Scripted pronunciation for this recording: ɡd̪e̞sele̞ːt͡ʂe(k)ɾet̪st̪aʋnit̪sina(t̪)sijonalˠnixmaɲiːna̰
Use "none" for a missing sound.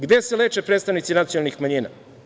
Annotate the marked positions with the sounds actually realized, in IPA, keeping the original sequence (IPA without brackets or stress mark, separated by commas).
p, t̪